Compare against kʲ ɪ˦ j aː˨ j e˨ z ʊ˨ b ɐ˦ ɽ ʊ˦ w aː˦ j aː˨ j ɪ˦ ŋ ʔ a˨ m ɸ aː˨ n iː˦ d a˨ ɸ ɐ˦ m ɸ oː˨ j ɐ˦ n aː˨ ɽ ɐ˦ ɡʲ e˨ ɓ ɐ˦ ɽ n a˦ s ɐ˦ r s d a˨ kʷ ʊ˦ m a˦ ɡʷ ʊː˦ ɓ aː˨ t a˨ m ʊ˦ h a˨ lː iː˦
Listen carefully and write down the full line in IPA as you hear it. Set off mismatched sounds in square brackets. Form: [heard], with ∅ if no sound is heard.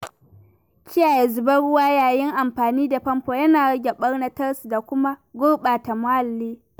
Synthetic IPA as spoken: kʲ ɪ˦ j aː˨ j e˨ z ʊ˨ b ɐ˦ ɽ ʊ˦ w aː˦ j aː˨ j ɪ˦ ŋ ʔ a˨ m ɸ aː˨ n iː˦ d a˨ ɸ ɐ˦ m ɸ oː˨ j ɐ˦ n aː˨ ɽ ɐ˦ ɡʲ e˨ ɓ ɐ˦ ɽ n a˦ [t] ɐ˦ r s d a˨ kʷ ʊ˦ m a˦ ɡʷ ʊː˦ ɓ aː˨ t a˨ m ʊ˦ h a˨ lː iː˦